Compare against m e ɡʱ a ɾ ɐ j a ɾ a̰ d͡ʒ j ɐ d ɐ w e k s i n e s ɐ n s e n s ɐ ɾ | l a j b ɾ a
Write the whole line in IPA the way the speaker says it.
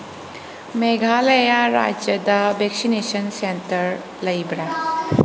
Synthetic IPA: m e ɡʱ a l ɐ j a ɾ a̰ d͡ʒ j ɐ d ɐ b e k s i n e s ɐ n s e n t ɐ ɾ | l ɐ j b ɾ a